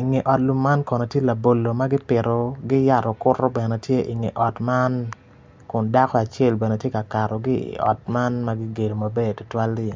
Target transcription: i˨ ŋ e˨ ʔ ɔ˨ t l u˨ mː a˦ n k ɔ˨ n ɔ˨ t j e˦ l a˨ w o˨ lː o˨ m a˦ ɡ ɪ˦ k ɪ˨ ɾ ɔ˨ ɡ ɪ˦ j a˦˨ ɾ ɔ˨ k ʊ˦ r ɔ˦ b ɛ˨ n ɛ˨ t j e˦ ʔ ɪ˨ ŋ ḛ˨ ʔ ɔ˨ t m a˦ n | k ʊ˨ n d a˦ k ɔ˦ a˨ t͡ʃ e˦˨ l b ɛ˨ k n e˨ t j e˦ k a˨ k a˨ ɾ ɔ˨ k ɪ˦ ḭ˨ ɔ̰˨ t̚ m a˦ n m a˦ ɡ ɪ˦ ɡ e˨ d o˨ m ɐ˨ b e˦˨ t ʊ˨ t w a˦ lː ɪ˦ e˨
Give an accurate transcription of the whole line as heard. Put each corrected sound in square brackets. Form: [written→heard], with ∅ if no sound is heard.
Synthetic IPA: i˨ ŋ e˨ ʔ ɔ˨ t l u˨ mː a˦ n k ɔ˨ n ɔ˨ t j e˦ l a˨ [w→b] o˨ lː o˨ m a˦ ɡ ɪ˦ [k→p] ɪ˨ ɾ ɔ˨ ɡ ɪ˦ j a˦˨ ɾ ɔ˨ k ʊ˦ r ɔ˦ b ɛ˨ n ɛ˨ t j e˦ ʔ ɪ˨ ŋ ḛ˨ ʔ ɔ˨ t m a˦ n | k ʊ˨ n d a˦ k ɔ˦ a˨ t͡ʃ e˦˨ l b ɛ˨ [k→∅] n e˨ t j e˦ k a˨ k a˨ ɾ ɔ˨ [k→ɡ] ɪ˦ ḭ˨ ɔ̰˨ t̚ m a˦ n m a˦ ɡ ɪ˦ ɡ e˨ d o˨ m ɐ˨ b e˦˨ t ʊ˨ t w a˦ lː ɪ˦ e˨